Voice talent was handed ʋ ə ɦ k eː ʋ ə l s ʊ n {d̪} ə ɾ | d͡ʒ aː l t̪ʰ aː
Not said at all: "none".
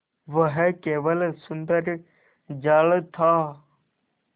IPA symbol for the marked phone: d̪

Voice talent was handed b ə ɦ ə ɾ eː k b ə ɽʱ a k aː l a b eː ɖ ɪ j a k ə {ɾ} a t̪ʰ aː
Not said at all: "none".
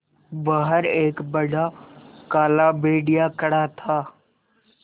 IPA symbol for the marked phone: ɽ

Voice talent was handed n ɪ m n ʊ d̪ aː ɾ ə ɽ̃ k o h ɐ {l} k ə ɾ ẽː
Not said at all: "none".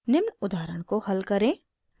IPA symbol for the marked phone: l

